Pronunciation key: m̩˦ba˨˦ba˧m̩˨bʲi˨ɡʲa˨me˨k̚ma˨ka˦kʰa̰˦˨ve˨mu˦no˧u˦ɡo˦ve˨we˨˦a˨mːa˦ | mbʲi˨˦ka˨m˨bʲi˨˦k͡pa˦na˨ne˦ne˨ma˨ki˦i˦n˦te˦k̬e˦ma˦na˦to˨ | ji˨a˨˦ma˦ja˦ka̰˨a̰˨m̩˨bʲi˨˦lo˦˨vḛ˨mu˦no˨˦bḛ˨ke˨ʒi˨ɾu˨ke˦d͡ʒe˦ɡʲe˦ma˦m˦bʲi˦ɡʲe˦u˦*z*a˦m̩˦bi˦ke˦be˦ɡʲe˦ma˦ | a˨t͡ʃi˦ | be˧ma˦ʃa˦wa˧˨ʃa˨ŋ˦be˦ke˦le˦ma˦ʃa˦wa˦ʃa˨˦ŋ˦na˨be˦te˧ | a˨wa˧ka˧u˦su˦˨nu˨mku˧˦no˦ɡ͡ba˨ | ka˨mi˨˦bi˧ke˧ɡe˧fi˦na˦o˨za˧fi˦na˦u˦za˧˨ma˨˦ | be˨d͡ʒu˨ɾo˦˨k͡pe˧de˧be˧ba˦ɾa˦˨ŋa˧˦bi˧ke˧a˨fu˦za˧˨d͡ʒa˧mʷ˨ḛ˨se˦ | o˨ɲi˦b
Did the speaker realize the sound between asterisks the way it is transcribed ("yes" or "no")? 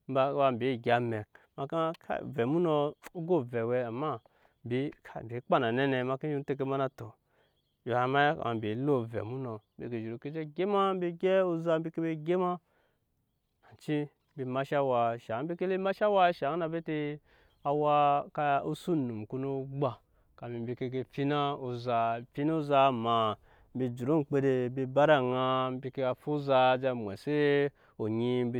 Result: yes